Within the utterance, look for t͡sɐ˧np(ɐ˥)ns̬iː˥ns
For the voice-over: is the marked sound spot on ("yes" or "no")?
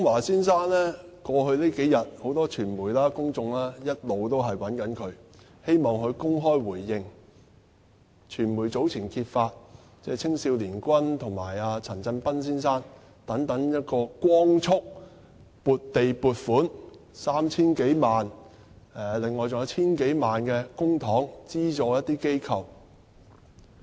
yes